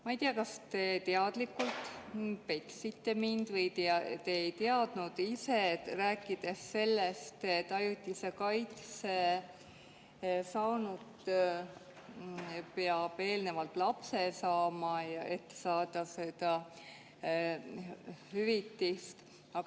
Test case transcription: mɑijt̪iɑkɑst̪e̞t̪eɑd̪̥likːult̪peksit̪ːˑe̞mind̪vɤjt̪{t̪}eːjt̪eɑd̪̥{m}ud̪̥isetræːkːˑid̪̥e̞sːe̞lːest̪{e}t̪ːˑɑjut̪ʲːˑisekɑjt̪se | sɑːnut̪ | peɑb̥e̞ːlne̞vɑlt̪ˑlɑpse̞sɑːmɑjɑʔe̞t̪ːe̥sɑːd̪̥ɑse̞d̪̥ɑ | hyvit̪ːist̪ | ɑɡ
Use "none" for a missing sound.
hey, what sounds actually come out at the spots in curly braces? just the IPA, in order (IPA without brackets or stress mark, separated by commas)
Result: t̪, n, e